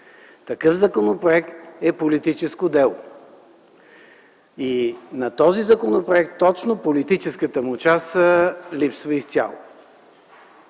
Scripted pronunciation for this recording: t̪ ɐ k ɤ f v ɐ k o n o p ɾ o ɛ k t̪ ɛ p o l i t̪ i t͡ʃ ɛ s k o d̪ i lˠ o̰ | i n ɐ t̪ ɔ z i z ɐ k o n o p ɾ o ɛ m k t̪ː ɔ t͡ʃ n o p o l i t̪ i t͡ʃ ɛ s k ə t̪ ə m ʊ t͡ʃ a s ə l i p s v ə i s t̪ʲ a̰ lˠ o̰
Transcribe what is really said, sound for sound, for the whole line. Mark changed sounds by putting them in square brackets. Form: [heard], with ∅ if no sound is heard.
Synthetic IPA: t̪ ɐ k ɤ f [z] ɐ k o n o p ɾ o ɛ k t̪ ɛ p o l i t̪ i t͡ʃ ɛ s k o d̪ [ɛ] lˠ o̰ | i n ɐ t̪ ɔ z i z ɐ k o n o p ɾ o ɛ [∅] k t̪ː ɔ t͡ʃ n o p o l i t̪ i t͡ʃ ɛ s k ə t̪ ə m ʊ t͡ʃ a s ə l i p s v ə i s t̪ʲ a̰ lˠ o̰

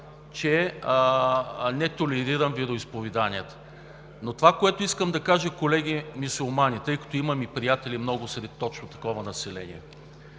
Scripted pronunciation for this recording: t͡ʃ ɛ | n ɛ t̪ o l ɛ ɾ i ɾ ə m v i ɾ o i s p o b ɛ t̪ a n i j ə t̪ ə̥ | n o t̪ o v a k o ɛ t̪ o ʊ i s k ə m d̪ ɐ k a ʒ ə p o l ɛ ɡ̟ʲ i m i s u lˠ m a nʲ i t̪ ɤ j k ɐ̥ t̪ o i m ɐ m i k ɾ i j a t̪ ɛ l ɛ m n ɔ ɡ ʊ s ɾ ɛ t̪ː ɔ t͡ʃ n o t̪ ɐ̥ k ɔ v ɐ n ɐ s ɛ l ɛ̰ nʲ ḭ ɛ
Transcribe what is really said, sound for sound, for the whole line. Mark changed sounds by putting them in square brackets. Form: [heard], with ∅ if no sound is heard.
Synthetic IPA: t͡ʃ ɛ | n ɛ t̪ o l ɛ ɾ i ɾ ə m v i ɾ o i s p o [v] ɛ [d̪] a n i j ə t̪ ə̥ | n o t̪ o v a k o ɛ t̪ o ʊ i s k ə m d̪ ɐ k a ʒ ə [k] o l ɛ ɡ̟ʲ i m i s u lˠ m a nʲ i t̪ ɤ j k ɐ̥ t̪ o i m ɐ m i [p] ɾ i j a t̪ ɛ l [i] m n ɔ ɡ ʊ s ɾ ɛ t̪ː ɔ t͡ʃ n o t̪ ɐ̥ k ɔ v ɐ n ɐ s ɛ l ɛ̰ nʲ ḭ ɛ

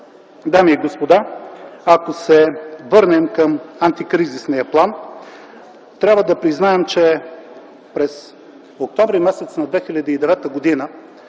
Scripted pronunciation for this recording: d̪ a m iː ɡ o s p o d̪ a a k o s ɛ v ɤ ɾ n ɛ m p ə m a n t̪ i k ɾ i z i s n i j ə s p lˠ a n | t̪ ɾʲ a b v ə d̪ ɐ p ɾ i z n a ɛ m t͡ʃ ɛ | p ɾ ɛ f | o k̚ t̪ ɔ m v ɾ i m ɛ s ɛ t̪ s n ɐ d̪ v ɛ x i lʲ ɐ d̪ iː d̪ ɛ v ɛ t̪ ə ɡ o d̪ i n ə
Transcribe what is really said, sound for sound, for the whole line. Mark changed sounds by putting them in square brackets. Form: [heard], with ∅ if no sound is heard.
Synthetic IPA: d̪ a m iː ɡ o s p o d̪ a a k o s ɛ v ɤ ɾ n ɛ m [k] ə m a n t̪ i k ɾ i z i s n i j ə [∅] p lˠ a n | t̪ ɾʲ a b v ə d̪ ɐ p ɾ i z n a ɛ m t͡ʃ ɛ | p ɾ ɛ [s] | o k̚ t̪ ɔ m v ɾ i m ɛ s ɛ t̪ s n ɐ d̪ v ɛ x i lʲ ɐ d̪ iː d̪ ɛ v ɛ t̪ ə ɡ o d̪ i n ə

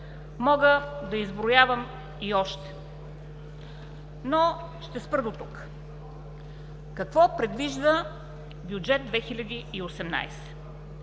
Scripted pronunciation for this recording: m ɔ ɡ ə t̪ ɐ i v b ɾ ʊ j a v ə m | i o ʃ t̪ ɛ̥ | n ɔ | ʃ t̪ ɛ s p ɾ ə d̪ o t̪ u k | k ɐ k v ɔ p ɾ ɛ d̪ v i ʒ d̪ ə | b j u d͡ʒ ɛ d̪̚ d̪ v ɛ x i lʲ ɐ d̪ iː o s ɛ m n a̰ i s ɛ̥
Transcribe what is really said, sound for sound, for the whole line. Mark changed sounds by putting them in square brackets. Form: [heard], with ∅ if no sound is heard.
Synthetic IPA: m ɔ ɡ ə [d̪] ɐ i [z] b ɾ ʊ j a v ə m | i [ɔ] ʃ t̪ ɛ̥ | n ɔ | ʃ t̪ ɛ s p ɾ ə d̪ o t̪ u k | k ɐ k v ɔ p ɾ ɛ d̪ v i ʒ d̪ ə | b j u d͡ʒ ɛ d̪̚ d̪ v ɛ x i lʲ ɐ d̪ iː o s ɛ m n a̰ [j] s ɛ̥

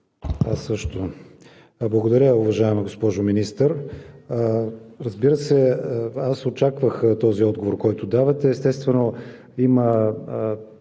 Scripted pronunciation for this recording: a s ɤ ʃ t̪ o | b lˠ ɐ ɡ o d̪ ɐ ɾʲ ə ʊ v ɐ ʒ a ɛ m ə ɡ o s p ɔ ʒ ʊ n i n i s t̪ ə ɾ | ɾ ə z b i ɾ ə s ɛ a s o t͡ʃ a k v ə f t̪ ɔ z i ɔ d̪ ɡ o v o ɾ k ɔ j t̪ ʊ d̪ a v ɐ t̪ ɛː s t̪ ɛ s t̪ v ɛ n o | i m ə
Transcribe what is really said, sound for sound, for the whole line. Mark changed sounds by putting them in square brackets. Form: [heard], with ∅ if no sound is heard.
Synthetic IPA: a s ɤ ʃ t̪ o | b lˠ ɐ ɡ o d̪ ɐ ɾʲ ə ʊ v ɐ ʒ a ɛ m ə ɡ o s p ɔ ʒ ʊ [m] i n i s t̪ ə ɾ | ɾ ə z b i ɾ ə s ɛ a s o t͡ʃ a k v ə [x] t̪ ɔ z i ɔ d̪ ɡ o v o ɾ k ɔ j t̪ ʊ d̪ a v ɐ t̪ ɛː s t̪ ɛ s t̪ v ɛ n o | i m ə

